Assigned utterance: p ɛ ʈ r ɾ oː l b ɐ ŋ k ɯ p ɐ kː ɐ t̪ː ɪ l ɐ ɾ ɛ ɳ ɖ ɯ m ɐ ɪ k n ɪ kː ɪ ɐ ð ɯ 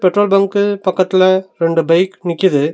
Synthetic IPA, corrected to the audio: p ɛ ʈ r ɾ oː l b ɐ ŋ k ɯ p ɐ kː ɐ t̪ː ɪ l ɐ ɾ ɛ ɳ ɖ ɯ b ɐ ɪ k n ɪ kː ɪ ɐ ð ɯ